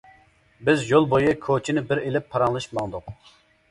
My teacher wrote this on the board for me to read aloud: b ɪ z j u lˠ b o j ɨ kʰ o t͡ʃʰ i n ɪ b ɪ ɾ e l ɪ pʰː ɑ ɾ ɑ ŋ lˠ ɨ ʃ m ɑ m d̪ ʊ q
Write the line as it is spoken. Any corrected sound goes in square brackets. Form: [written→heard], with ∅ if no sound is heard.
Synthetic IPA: b ɪ z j [u→o] lˠ b o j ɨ kʰ o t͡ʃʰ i n ɪ b ɪ ɾ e l ɪ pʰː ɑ ɾ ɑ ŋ lˠ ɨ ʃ m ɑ [m→ŋ] d̪ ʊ q